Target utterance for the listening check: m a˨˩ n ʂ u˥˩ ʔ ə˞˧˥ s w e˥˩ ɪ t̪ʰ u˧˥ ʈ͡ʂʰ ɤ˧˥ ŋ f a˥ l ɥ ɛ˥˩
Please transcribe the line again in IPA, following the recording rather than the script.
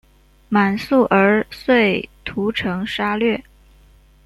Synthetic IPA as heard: m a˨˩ n s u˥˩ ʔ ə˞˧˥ s w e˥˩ ɪ t̪ʰ u˧˥ ʈ͡ʂʰ ɤ˧˥ ŋ ʂ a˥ l ɥ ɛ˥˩